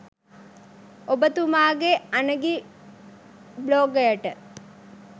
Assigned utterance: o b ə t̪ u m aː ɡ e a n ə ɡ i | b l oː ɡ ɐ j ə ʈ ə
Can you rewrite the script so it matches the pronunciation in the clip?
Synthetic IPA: o b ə t̪ u m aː ɡ e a n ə ɡ i | b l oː ɡ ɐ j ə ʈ ə